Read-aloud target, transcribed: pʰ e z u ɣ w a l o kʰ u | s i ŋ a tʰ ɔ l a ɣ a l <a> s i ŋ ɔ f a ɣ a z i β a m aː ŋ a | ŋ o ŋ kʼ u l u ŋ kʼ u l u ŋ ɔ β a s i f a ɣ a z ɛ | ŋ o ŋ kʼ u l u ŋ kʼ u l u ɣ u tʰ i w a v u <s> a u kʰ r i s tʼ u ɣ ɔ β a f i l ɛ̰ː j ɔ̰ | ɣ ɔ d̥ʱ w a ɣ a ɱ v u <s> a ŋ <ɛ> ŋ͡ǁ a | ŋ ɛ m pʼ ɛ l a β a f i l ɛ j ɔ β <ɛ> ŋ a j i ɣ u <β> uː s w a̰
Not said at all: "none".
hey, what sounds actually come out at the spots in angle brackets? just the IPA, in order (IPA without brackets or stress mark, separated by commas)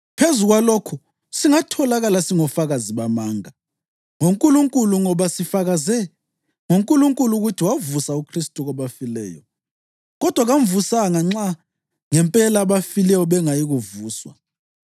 a, s, s, a, ɛ, v